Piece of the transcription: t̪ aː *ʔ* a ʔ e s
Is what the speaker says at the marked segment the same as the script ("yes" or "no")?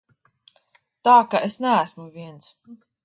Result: no